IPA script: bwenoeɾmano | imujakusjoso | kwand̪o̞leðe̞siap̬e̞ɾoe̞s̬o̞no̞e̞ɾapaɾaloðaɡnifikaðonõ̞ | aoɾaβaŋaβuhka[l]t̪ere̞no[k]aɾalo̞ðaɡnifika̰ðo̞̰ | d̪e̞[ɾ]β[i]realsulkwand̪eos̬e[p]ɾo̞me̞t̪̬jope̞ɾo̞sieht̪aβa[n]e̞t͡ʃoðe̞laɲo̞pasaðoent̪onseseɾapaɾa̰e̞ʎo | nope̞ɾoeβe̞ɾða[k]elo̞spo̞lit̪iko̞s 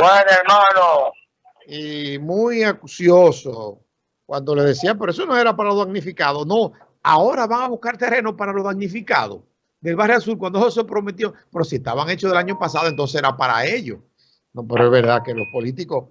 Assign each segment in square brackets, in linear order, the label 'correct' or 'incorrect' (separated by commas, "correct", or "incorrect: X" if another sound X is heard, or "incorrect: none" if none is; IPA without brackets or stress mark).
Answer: incorrect: ɾ, incorrect: p, incorrect: l, incorrect: a, correct, incorrect: ŋ, correct